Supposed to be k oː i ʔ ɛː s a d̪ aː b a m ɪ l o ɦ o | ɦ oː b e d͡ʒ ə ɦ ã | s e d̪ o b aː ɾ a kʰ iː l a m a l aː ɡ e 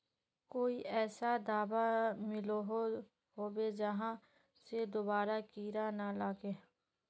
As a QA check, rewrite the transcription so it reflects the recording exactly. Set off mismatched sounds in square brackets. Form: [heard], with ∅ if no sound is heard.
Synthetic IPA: k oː i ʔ ɛː s a d̪ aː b a m ɪ l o ɦ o | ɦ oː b e d͡ʒ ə ɦ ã | s e d̪ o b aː ɾ a [k] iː [ɾ] a [n] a l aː ɡ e